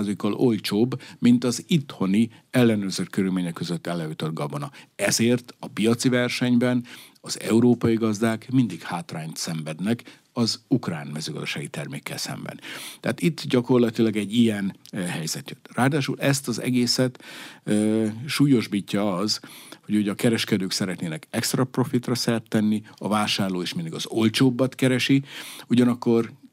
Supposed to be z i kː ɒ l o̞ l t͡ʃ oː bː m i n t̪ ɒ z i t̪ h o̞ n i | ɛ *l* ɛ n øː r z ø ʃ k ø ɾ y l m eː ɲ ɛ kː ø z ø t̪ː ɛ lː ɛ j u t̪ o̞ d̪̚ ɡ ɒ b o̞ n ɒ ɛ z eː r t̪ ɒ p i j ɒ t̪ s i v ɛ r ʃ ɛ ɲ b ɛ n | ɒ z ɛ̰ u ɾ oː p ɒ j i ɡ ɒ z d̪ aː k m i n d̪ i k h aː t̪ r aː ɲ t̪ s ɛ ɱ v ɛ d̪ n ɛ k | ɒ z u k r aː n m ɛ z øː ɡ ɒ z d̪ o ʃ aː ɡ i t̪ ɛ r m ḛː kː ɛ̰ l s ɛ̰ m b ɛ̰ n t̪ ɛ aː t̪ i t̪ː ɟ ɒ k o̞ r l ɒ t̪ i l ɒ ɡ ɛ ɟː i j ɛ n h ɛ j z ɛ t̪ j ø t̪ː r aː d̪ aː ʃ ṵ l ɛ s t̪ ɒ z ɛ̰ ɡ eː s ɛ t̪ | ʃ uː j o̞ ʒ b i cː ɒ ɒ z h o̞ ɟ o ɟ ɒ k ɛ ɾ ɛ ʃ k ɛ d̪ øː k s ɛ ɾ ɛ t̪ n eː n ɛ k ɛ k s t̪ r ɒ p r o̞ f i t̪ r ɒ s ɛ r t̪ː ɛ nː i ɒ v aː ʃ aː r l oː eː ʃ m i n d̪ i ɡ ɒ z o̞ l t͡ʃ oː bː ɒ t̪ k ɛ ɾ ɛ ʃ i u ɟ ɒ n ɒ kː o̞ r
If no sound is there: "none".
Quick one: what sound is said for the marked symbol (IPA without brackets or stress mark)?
lː